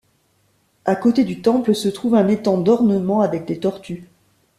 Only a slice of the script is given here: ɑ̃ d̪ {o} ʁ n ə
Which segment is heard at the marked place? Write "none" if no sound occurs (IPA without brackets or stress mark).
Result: ɔ